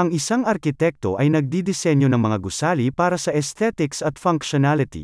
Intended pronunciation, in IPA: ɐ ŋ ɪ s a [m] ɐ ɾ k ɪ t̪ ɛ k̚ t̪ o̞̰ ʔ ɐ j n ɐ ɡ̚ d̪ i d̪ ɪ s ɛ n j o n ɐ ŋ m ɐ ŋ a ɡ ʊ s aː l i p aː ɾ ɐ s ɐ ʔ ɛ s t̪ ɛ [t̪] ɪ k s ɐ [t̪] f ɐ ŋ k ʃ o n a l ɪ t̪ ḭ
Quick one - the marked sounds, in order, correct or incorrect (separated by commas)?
incorrect, correct, correct